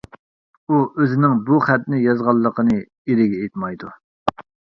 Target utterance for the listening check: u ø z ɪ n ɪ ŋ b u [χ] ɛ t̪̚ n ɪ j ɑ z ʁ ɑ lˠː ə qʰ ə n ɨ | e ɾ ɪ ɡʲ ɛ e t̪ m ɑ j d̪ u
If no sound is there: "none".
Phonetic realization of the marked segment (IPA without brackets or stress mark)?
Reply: χ